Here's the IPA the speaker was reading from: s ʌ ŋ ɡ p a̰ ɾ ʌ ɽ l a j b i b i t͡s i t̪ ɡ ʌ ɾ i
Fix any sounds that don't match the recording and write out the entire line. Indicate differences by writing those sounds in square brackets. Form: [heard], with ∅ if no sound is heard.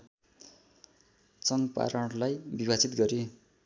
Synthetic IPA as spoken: [t͡s] ʌ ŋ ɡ p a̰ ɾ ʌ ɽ l a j b i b [a] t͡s i t̪ ɡ ʌ ɾ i